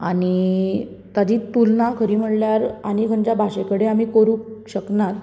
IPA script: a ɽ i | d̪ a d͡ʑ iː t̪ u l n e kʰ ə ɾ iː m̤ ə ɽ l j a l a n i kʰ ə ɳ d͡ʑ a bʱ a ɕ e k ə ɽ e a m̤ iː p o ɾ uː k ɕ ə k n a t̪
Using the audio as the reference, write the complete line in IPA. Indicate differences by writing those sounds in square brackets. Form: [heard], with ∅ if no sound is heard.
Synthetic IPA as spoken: a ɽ i | [t̪] a d͡ʑ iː t̪ u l n [a] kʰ ə ɾ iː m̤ ə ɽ l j a [ɾ] a n i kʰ ə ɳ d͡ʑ a bʱ a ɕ e k ə ɽ e a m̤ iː [k] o ɾ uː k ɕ ə k n a t̪